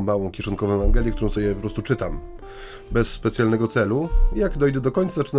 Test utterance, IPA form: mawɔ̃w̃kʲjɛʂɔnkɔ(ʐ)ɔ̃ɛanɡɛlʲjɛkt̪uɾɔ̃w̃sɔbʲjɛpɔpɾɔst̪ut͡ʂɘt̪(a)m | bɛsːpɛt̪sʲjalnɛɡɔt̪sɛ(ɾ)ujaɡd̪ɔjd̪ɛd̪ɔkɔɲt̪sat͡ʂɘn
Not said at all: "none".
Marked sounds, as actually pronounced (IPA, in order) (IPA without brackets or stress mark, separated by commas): v, a, l